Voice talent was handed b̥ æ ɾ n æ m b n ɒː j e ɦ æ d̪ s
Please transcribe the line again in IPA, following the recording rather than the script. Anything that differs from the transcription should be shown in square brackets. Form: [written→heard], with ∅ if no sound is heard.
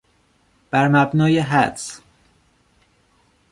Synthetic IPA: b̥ æ ɾ [n→m] æ [m→∅] b n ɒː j e ɦ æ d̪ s